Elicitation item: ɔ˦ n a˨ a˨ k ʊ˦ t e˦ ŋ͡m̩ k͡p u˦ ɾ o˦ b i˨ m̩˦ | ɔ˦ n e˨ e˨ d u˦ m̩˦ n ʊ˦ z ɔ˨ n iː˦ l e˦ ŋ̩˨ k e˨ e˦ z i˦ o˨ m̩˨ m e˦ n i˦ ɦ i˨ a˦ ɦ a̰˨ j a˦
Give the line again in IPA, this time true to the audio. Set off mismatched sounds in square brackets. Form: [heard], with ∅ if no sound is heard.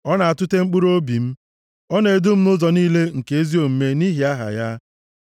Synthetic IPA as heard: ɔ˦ n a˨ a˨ [t] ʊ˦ t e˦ ŋ͡m̩ k͡p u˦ ɾ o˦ b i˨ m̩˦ | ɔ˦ n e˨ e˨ d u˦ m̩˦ n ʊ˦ z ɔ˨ n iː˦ l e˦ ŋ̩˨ k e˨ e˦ z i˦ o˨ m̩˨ m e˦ n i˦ ɦ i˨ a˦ ɦ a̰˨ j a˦

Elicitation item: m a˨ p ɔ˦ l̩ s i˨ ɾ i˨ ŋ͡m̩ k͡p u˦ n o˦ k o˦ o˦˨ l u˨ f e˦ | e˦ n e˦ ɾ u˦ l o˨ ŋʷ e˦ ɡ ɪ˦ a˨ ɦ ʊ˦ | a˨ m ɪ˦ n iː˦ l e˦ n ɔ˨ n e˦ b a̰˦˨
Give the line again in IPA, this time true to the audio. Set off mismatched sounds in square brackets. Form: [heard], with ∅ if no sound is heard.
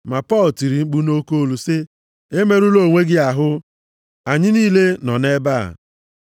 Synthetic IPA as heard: m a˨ p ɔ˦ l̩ [t] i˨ ɾ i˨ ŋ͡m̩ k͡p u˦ n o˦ k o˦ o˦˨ l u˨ [s] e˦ | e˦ [m] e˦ ɾ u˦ l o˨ ŋʷ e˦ ɡ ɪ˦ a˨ ɦ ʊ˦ | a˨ [ɲ] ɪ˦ n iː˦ l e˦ n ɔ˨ n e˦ b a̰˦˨

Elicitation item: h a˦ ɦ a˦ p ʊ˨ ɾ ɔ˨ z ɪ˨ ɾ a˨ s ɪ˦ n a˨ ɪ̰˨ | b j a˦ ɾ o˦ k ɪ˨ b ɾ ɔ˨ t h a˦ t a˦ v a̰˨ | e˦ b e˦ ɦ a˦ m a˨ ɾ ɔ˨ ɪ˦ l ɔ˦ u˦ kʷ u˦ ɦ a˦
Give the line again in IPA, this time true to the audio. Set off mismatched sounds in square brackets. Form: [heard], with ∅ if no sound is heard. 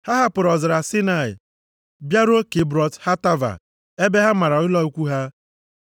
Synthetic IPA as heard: h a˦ ɦ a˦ p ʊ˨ ɾ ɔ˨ z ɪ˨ ɾ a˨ s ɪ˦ n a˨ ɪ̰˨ | b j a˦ ɾ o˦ k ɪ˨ b ɾ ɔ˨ t h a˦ t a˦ v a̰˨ | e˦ b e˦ ɦ a˦ m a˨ ɾ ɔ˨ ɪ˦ l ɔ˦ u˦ kʷ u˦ ɦ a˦

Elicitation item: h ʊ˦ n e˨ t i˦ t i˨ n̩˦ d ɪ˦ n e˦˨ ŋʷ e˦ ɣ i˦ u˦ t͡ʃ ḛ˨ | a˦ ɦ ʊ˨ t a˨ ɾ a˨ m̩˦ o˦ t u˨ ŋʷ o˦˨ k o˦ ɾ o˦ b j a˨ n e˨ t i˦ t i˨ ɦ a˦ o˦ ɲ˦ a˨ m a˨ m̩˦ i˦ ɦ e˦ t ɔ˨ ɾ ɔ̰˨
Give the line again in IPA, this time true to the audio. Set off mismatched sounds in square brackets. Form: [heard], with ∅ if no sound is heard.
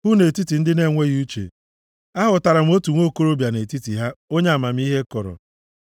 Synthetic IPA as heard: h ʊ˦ n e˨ t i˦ t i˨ n̩˦ d ɪ˦ n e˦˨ ŋʷ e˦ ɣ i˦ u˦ t͡ʃ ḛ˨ | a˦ ɦ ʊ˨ t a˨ ɾ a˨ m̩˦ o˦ t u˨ ŋʷ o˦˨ k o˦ ɾ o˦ b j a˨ n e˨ t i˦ t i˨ ɦ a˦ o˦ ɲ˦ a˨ m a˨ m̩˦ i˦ ɦ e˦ [k] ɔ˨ ɾ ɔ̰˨

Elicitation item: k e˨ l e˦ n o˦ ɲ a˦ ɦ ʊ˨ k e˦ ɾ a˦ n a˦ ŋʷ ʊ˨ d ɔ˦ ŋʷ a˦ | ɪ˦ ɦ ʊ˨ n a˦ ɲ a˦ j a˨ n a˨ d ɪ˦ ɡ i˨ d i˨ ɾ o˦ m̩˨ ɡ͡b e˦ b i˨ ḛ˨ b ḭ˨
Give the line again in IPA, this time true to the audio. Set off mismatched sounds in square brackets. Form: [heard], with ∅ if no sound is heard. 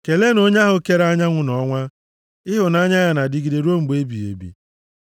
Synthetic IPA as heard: k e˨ l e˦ n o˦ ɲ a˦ ɦ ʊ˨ k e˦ ɾ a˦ [ɲ] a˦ ŋʷ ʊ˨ [n] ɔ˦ ŋʷ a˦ | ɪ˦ ɦ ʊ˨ n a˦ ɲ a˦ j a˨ n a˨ d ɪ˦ ɡ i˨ d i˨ ɾ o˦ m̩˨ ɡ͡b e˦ b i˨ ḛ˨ b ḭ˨

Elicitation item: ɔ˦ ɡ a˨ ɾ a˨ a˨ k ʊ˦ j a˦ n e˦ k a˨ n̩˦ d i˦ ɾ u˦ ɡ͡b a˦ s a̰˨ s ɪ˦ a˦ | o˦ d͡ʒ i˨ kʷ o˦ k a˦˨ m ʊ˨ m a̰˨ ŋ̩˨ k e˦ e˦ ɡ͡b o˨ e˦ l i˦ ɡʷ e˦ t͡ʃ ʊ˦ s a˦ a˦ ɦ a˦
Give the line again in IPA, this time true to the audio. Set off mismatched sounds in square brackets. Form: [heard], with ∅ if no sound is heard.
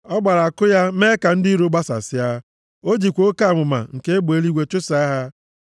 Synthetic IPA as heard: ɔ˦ [ɡ͡b] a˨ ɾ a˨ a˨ k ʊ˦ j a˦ [m] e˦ k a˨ n̩˦ d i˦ ɾ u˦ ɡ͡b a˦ s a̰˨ s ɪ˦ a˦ | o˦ d͡ʒ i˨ kʷ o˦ k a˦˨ m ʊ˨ m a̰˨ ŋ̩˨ k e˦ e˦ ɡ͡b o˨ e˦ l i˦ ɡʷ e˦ t͡ʃ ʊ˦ s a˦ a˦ ɦ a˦

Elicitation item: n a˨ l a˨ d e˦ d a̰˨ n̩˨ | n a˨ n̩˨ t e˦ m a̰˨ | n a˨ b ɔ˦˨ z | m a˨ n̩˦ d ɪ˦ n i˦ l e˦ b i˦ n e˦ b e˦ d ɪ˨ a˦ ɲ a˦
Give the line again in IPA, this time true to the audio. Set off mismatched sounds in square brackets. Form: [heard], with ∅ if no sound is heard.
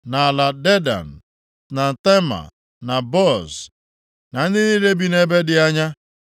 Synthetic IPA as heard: n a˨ l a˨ d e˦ d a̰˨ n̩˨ | n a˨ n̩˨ t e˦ m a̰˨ | n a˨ b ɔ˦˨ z | [n] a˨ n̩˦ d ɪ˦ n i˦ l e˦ b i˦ n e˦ b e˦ d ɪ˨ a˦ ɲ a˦

